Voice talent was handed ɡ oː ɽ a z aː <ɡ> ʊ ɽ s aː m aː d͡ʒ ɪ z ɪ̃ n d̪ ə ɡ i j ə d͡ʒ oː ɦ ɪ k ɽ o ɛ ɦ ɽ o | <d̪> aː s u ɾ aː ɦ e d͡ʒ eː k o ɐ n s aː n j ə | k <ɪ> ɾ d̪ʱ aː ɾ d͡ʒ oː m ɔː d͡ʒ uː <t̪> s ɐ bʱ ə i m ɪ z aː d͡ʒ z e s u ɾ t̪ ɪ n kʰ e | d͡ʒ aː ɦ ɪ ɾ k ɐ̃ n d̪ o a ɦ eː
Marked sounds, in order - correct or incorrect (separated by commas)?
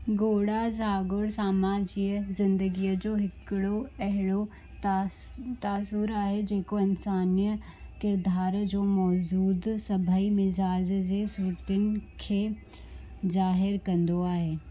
correct, incorrect, correct, incorrect